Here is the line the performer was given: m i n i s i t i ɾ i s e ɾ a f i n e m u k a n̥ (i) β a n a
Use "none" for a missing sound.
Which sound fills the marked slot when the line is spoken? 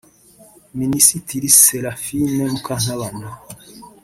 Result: a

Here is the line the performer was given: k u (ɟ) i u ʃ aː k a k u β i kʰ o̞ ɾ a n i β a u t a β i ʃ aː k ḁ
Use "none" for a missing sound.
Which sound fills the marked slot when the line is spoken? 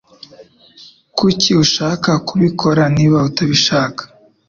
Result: c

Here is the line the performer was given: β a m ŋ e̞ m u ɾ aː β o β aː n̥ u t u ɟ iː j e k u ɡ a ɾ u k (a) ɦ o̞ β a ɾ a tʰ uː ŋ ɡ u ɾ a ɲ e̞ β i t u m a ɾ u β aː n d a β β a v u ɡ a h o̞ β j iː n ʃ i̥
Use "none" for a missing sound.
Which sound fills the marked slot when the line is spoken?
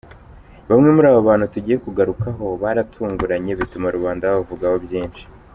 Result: a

